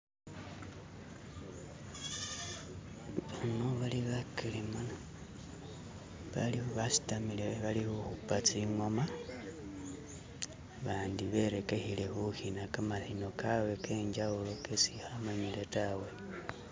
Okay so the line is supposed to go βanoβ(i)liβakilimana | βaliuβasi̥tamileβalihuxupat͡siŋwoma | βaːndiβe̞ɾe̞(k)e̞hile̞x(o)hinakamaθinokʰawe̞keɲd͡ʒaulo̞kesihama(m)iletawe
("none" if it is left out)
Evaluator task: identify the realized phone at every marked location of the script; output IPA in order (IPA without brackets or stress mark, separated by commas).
a, k, u, ɲ